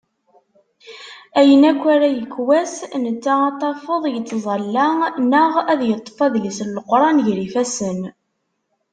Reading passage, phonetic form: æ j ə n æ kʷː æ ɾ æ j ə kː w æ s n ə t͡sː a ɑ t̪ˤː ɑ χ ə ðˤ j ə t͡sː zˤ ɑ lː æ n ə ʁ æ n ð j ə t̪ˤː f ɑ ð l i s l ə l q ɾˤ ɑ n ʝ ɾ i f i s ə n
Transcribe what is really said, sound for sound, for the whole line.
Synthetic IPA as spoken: æ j ə n æ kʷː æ ɾ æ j ə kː w æ s n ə t͡sː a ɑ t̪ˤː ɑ f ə ðˤ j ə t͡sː zˤ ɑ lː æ n ə ʁ æ ð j ə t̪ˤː f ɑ ð l i s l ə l q ɾˤ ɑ n ʝ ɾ i f æ s ə n